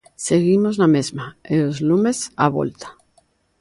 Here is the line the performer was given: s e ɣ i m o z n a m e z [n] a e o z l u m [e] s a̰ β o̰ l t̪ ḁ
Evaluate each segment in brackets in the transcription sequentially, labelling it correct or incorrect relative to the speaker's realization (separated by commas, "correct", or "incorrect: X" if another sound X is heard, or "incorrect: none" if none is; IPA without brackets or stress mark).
incorrect: m, correct